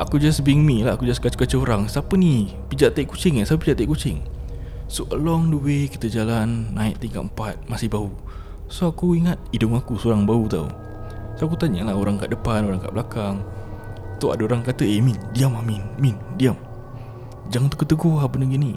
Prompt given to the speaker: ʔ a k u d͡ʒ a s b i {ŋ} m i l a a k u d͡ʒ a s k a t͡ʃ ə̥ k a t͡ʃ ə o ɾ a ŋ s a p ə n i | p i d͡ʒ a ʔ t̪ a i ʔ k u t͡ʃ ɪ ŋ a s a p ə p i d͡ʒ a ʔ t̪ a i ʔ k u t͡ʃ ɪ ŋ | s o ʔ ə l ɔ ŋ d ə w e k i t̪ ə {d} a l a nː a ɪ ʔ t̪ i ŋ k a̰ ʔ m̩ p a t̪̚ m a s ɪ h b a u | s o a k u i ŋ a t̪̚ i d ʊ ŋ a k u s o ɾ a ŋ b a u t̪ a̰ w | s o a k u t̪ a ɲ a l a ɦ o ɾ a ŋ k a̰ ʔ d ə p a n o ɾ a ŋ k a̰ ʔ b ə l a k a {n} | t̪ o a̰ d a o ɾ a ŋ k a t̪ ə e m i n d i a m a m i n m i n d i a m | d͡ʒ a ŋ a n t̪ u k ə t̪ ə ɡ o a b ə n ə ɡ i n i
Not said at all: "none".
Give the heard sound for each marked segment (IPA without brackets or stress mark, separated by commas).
ŋ, d͡ʒ, ŋ